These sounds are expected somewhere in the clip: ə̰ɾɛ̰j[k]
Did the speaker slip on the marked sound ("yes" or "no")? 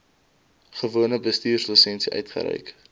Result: no